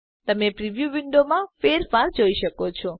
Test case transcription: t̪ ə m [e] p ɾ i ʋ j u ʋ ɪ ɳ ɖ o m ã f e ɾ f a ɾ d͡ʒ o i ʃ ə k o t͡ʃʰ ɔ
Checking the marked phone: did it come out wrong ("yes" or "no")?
no